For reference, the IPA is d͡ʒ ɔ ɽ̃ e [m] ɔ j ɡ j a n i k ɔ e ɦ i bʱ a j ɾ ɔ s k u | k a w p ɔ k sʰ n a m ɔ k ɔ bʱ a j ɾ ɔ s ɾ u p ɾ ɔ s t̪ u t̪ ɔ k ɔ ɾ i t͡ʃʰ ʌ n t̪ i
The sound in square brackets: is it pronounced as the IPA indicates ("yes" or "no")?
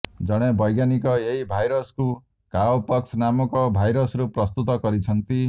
no